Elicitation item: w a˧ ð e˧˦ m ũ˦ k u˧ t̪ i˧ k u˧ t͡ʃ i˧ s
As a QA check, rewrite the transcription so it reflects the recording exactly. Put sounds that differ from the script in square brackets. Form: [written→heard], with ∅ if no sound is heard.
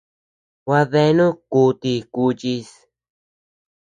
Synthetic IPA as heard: w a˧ ð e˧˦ [m→n] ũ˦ k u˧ t̪ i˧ k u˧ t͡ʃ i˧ s